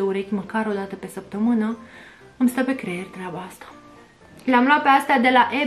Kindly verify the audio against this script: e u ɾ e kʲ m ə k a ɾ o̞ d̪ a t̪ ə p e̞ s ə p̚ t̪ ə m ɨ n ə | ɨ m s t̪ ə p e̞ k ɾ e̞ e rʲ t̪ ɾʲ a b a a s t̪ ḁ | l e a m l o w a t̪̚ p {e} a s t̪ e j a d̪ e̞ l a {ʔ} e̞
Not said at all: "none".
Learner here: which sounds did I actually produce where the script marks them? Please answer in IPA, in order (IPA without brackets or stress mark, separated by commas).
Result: e, ʔ